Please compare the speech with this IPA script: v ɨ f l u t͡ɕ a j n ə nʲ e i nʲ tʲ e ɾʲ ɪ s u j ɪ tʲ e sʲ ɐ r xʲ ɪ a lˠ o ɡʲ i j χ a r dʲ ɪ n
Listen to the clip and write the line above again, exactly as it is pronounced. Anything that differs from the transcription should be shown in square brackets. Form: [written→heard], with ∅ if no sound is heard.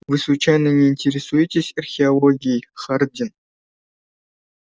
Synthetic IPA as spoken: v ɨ [f→s] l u t͡ɕ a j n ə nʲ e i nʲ tʲ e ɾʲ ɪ s u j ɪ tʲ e sʲ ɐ r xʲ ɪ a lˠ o ɡʲ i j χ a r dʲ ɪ n